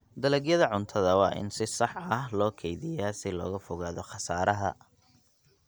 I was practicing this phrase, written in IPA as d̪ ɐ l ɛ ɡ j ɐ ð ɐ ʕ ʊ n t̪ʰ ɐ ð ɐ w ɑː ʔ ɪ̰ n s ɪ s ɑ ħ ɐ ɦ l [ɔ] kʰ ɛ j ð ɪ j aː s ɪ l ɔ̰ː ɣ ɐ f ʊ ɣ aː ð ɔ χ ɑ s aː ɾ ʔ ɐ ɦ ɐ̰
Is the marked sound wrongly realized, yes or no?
yes